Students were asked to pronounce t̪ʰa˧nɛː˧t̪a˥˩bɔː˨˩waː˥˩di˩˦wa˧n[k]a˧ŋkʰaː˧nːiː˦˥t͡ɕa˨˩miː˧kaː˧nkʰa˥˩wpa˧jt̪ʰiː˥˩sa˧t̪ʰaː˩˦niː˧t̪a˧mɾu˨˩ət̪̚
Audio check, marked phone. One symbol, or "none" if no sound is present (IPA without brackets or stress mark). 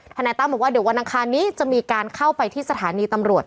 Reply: ʔ